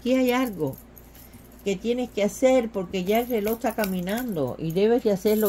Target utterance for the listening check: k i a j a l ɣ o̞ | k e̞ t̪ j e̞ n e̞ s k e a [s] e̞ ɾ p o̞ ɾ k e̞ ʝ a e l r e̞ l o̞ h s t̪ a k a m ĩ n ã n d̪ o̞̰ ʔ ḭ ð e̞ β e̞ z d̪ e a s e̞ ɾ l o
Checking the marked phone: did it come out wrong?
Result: no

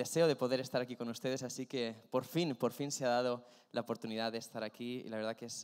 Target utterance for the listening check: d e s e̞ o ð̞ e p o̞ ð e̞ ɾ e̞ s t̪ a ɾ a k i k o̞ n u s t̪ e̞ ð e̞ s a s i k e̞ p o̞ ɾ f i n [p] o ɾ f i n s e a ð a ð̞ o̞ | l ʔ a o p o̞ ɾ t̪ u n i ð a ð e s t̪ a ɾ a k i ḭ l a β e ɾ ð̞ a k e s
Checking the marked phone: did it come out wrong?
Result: no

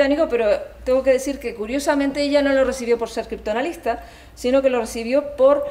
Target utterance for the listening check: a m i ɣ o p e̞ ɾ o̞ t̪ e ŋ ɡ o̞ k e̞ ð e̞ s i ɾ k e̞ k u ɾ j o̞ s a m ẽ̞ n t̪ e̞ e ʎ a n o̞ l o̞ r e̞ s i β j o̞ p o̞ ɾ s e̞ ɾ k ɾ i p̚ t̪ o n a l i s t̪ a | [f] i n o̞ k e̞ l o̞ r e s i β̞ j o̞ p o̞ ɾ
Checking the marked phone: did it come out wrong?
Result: yes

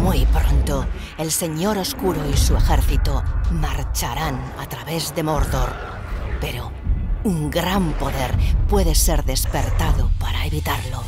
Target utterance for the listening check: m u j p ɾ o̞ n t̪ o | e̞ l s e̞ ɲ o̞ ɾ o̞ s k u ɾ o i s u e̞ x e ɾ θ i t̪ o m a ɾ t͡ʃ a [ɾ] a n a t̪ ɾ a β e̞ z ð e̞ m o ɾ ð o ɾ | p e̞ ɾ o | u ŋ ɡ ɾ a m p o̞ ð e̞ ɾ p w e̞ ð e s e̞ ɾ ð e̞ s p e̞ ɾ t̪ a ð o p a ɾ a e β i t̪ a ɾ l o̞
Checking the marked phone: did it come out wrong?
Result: no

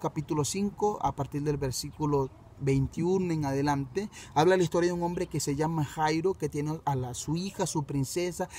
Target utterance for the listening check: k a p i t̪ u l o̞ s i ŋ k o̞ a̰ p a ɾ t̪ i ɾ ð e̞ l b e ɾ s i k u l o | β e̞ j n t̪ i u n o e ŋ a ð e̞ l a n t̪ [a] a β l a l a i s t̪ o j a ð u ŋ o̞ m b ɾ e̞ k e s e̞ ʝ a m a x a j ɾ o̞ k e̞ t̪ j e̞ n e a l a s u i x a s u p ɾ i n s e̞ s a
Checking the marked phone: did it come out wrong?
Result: yes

